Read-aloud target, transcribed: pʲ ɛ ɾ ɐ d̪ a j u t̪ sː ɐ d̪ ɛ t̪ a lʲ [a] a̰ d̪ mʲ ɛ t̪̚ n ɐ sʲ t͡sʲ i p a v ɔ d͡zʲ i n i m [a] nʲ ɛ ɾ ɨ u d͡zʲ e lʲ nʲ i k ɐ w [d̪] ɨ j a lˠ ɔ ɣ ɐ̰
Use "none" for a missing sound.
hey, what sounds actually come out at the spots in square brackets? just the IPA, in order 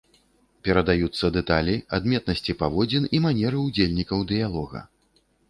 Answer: i, a, d̪

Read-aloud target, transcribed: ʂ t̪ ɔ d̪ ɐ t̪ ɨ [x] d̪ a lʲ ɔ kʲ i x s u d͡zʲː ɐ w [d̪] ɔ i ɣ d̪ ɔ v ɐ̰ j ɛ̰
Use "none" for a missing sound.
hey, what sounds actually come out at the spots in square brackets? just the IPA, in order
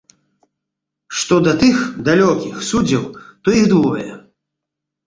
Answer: x, t̪

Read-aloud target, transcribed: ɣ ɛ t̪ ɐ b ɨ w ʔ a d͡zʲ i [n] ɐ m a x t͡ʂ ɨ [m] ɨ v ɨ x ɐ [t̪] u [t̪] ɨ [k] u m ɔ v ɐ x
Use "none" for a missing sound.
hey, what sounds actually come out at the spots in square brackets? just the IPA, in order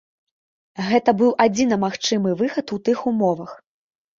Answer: n, m, t̪, t̪, x

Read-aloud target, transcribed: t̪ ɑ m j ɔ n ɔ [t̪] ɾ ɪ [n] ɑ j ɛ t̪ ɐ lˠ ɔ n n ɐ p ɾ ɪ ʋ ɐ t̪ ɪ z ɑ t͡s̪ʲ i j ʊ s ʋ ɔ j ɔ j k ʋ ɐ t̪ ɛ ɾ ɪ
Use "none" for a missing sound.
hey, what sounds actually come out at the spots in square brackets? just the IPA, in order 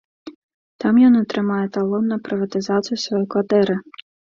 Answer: t̪, m

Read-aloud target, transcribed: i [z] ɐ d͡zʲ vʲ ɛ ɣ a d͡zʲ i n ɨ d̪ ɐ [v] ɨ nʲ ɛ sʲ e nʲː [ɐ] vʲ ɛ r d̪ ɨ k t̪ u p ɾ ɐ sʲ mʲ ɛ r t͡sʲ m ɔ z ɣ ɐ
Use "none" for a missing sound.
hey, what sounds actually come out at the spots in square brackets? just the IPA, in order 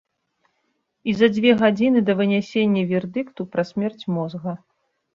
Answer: z, v, ɐ

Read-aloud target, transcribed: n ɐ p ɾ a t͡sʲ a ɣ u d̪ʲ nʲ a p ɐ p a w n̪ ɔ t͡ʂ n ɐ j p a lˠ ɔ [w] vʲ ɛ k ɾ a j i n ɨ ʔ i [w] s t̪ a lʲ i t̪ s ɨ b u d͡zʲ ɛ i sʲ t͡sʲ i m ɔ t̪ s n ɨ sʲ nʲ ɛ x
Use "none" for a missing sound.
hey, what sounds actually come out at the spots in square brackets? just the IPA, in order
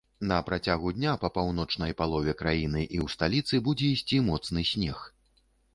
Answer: none, w

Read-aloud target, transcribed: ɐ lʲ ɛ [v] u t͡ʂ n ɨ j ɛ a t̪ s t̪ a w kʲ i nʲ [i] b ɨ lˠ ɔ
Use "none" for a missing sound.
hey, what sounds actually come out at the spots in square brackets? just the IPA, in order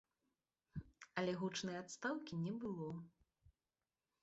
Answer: ɣ, ɛ

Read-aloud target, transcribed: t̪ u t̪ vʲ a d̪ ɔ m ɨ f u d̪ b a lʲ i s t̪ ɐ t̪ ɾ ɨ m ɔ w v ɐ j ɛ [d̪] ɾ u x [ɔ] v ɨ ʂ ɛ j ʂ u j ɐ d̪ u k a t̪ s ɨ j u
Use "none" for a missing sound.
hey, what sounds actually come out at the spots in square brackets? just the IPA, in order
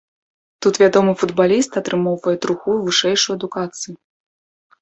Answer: t̪, u

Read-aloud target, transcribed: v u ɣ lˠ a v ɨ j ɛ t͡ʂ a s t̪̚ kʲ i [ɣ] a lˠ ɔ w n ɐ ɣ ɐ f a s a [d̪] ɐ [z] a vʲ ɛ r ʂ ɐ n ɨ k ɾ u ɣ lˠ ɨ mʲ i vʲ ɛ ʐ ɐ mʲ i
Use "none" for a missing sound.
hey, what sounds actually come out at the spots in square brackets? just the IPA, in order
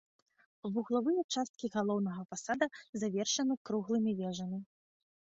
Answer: ɣ, d̪, z

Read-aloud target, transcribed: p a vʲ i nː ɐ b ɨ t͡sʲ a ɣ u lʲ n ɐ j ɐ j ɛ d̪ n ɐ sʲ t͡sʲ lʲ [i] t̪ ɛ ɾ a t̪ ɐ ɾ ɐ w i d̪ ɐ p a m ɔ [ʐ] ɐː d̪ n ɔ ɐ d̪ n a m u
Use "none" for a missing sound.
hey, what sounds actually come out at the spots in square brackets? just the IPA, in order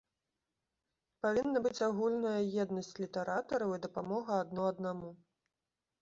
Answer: i, ɣ

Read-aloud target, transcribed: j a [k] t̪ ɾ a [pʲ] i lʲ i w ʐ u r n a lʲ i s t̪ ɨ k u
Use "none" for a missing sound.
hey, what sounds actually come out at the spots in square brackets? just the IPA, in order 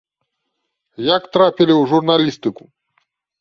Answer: k, pʲ

